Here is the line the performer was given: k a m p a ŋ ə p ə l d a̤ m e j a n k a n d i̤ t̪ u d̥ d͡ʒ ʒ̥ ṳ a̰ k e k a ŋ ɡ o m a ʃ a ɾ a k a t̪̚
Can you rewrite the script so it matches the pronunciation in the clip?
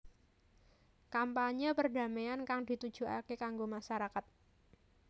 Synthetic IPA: k a m p a ɲ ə p ə r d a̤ m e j a n k a ŋ d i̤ t̪ u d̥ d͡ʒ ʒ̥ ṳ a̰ k e k a ŋ ɡ o m a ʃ a ɾ a k a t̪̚